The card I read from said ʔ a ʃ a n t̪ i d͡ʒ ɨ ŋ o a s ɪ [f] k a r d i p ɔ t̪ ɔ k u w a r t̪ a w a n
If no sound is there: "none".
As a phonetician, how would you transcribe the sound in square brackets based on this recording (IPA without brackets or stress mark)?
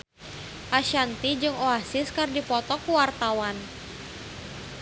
s